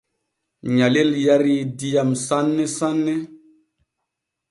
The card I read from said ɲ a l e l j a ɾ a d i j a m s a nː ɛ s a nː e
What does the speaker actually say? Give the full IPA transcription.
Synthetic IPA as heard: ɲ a l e l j a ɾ i d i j a m s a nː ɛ s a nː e